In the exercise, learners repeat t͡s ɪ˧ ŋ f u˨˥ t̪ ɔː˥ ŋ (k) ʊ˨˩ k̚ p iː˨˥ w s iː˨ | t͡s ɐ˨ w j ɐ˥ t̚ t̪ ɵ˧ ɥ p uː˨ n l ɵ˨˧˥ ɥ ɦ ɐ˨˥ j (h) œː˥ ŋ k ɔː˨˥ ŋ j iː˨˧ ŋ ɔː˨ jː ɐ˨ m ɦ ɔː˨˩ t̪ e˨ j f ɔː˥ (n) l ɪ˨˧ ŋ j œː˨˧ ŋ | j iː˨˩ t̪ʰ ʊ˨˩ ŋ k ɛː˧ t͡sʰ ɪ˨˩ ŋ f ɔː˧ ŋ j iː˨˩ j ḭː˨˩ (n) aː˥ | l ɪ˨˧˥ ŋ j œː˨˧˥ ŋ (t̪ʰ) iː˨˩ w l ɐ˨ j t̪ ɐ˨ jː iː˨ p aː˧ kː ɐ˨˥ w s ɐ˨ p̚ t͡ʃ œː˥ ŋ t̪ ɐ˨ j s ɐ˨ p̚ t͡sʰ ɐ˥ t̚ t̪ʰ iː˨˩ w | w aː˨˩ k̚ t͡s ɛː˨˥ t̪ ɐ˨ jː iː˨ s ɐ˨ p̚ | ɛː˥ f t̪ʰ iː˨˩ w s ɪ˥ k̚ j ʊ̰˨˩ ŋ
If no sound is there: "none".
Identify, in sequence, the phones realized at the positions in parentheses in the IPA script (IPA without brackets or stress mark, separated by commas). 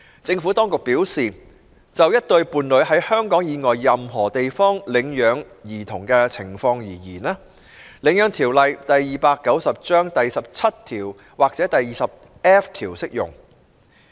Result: k, h, ŋ, n, t̪ʰ